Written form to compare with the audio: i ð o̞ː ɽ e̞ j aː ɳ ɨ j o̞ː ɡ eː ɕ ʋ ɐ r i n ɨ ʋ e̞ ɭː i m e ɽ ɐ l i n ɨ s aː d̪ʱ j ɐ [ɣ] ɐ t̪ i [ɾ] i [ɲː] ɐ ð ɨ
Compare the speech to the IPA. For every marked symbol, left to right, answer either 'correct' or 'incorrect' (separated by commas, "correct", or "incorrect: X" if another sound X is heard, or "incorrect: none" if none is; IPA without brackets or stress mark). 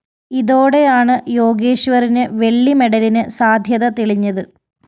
incorrect: ð, incorrect: ɭ, correct